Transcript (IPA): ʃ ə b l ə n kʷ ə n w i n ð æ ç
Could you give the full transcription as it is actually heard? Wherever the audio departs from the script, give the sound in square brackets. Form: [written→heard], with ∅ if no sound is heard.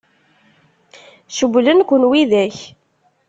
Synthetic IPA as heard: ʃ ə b l ə n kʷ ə n w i [n→∅] ð æ ç